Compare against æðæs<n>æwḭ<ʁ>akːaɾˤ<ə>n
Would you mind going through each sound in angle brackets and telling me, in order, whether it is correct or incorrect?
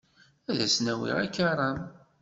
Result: correct, correct, incorrect: ɑ

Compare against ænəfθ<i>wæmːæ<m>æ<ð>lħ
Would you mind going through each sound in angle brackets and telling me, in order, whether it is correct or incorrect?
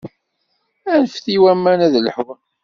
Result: correct, incorrect: n, correct

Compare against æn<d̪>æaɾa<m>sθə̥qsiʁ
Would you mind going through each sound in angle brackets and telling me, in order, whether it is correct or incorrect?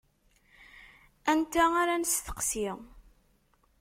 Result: incorrect: t̪, incorrect: n

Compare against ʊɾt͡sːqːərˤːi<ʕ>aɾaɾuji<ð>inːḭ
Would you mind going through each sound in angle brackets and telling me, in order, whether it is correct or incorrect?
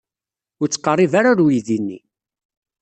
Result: incorrect: v, correct

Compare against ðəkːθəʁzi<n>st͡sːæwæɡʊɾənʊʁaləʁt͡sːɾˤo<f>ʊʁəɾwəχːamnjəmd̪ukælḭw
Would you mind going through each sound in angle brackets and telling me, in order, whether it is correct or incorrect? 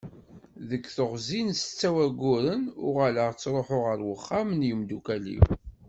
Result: correct, incorrect: ħ

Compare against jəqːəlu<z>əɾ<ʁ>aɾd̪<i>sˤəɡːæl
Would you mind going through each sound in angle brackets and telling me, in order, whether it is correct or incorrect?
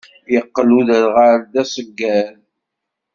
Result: incorrect: ð, correct, incorrect: æ

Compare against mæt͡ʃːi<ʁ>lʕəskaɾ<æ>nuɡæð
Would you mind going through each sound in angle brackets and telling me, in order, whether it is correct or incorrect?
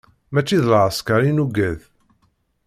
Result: incorrect: ð, incorrect: i

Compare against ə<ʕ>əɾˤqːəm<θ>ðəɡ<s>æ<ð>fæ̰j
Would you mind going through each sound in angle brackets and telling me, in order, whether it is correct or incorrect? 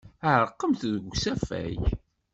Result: correct, correct, correct, incorrect: none

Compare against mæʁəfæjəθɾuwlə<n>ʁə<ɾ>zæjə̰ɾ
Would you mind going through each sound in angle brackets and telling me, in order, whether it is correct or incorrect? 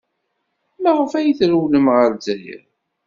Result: incorrect: m, correct

